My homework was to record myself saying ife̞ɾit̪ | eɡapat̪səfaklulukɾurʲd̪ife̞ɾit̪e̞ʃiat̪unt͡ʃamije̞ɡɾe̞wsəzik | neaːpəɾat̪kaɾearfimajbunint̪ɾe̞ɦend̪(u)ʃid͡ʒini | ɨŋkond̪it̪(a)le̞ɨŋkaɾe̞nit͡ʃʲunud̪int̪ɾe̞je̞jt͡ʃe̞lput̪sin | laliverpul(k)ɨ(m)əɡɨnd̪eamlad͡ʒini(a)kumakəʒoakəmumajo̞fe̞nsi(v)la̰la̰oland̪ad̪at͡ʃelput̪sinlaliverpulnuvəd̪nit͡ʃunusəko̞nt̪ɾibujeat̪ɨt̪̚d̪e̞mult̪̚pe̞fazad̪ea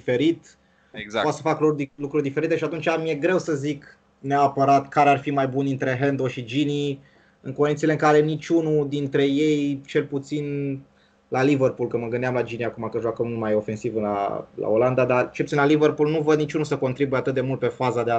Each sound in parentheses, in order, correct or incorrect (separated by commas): incorrect, incorrect, correct, correct, correct, correct